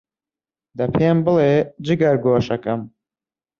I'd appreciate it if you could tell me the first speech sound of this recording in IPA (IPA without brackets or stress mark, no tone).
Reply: d̪